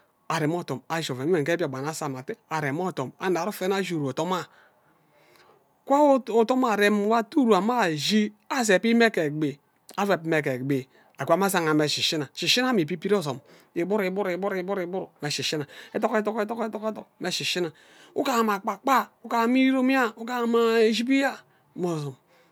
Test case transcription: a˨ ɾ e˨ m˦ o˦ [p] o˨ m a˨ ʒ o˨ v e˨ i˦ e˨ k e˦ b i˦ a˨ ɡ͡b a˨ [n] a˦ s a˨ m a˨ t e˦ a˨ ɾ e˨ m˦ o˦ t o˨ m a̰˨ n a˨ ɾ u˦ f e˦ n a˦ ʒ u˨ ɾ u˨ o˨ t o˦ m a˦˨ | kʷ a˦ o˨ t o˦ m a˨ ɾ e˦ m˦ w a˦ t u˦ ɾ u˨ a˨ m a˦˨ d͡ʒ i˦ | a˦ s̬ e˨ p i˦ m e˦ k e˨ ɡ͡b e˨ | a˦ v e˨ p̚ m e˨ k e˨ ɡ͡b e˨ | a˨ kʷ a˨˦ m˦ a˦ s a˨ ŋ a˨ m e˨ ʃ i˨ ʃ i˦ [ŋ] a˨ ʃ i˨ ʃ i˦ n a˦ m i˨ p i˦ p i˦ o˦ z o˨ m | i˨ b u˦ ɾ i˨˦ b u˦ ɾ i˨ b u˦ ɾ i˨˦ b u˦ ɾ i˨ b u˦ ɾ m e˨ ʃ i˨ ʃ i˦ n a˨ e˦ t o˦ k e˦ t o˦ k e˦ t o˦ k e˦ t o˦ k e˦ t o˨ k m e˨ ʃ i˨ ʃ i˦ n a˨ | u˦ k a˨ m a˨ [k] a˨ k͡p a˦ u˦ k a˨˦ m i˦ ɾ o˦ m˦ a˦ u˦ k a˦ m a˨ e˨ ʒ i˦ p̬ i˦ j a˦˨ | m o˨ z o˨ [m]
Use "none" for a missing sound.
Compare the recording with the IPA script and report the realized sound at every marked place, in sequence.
t, n, n, k͡p, m

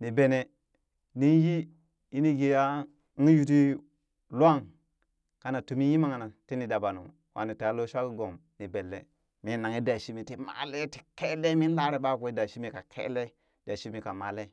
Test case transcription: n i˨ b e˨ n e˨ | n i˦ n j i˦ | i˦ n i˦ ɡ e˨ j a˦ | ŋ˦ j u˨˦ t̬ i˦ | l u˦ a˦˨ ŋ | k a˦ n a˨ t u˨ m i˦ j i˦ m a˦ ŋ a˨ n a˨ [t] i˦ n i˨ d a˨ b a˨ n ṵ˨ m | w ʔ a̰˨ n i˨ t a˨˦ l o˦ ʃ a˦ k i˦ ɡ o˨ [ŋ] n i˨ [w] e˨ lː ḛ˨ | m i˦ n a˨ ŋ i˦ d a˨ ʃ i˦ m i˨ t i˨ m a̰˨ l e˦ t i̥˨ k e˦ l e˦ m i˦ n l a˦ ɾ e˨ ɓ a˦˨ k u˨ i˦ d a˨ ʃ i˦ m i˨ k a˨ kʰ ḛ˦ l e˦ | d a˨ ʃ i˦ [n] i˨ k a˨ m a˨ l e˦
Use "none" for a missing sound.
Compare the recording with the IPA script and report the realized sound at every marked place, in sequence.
t, m, b, m

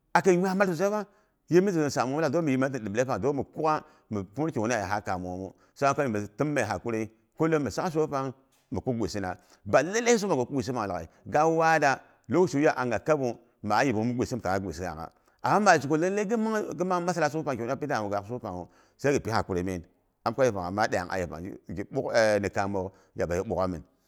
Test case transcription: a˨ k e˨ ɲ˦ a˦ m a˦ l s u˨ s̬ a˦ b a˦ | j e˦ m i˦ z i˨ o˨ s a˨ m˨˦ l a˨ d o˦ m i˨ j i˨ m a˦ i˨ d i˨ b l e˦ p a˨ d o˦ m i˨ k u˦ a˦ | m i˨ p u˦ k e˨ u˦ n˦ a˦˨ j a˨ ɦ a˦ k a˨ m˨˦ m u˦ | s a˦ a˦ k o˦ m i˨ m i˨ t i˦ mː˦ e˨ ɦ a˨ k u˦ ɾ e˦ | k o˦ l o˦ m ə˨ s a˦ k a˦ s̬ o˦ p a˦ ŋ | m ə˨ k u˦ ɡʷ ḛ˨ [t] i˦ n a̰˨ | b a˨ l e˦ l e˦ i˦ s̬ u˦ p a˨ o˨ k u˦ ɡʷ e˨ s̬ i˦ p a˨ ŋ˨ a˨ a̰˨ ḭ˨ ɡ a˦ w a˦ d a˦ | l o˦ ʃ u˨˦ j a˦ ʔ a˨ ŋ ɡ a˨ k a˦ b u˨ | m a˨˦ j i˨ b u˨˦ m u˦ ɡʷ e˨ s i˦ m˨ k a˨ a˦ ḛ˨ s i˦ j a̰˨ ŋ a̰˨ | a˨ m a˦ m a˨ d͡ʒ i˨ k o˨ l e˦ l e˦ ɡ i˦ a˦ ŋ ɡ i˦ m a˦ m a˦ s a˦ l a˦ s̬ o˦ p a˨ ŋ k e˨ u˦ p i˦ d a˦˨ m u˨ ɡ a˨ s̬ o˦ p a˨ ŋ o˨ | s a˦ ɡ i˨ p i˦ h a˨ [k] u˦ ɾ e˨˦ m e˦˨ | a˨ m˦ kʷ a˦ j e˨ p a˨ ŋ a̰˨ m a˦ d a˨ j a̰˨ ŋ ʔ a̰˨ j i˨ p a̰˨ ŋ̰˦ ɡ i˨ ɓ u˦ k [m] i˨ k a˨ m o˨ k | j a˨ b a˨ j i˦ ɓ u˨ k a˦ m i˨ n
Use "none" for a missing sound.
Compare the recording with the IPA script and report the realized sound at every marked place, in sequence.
s, k, n

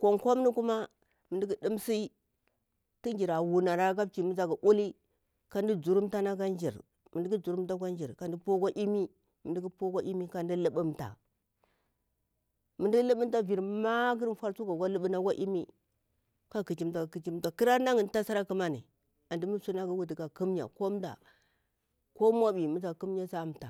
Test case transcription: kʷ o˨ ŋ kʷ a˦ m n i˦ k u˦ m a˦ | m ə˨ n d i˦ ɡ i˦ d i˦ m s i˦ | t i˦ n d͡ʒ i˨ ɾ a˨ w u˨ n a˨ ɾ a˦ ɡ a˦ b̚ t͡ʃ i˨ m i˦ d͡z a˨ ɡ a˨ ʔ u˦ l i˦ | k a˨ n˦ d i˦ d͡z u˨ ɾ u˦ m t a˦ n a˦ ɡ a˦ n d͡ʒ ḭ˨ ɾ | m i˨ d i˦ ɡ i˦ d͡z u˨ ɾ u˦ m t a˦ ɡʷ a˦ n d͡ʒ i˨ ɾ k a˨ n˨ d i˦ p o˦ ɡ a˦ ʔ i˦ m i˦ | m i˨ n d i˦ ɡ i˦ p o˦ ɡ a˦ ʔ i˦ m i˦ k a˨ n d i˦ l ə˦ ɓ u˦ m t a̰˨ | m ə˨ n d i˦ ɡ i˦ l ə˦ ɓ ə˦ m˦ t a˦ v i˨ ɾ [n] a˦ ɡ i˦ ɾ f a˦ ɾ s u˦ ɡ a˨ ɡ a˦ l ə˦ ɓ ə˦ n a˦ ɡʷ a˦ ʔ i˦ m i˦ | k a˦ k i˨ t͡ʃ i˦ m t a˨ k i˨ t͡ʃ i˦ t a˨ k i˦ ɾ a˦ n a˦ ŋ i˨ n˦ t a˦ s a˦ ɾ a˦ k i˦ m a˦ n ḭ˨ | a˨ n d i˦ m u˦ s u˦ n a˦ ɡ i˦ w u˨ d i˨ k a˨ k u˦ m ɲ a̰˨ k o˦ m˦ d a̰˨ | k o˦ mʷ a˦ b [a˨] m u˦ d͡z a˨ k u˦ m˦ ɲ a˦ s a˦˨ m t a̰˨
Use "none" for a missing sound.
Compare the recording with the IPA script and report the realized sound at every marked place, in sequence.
m, i˨

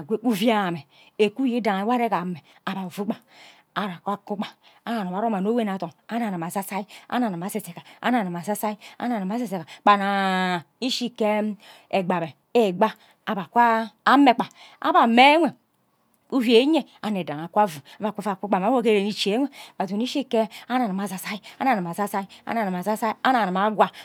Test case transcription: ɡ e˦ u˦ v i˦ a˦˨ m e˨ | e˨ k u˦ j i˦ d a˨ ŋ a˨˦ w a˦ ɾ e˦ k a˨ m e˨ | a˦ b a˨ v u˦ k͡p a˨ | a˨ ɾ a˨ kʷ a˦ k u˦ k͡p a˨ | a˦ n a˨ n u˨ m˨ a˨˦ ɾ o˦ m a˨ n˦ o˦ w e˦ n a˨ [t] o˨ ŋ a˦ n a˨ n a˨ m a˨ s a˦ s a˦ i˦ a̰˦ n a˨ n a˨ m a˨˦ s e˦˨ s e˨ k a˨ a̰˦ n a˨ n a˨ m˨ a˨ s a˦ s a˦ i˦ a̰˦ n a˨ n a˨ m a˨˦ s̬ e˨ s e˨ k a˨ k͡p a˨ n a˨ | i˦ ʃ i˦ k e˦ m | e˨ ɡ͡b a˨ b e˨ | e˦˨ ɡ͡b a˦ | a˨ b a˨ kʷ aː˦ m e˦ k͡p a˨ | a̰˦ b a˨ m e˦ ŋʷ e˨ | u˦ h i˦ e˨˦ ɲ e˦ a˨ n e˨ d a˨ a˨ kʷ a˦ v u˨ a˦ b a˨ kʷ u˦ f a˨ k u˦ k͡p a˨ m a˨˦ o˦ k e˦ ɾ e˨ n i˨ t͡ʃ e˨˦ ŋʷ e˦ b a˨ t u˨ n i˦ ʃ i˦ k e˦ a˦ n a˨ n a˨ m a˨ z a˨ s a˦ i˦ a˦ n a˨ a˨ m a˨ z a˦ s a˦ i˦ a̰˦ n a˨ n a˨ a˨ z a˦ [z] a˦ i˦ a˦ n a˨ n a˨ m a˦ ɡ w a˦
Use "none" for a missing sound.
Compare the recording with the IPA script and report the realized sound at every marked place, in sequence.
t, s

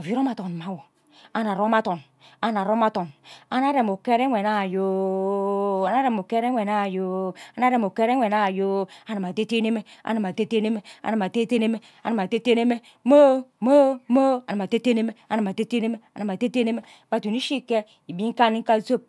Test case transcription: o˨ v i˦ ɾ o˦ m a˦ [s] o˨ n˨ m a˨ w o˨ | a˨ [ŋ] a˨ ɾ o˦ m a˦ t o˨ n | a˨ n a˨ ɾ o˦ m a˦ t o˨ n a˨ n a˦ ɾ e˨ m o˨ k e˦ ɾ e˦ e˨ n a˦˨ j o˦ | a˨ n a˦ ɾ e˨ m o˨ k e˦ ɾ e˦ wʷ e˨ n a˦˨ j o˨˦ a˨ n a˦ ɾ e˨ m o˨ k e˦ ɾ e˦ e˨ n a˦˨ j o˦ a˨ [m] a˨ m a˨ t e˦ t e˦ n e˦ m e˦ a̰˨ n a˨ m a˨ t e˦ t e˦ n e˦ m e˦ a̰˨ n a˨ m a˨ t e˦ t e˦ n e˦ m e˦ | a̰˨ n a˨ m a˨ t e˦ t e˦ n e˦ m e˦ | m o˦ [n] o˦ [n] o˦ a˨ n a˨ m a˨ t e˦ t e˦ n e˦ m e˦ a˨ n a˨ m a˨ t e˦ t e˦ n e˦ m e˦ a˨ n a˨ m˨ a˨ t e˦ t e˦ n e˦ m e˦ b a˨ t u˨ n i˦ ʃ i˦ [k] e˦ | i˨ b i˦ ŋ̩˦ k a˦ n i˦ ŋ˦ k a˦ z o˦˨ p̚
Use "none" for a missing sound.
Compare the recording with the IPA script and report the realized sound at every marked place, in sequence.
t, n, n, m, m, k

